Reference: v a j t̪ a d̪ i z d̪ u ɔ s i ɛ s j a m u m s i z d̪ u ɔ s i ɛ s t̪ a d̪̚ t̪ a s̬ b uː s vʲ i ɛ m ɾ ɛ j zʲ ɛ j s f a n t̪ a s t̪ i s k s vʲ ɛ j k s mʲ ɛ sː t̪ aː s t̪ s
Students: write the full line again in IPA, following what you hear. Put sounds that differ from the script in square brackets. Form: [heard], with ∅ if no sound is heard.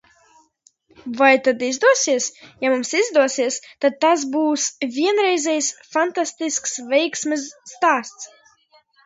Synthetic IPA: v a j t̪ a d̪ i z d̪ u ɔ s i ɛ s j a m u m s i z d̪ u ɔ s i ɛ s t̪ a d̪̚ t̪ a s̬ b uː s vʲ i ɛ [n] ɾ ɛ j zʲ ɛ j s f a n t̪ a s t̪ i s k s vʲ ɛ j k s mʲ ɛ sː t̪ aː s t̪ s